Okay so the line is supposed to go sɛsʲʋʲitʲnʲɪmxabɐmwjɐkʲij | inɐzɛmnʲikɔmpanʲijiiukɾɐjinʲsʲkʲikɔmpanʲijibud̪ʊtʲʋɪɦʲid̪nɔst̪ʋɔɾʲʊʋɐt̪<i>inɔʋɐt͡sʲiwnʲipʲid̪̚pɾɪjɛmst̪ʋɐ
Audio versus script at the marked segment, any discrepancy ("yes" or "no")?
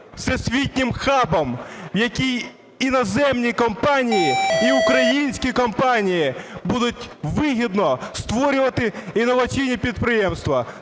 yes